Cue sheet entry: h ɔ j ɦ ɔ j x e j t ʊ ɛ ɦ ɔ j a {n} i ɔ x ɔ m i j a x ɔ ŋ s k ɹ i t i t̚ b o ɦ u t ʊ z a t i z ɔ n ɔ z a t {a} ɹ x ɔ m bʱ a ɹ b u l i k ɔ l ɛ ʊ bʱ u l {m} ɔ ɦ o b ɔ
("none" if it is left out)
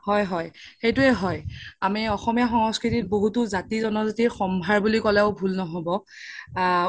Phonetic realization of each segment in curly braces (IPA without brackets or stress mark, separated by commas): m, i, n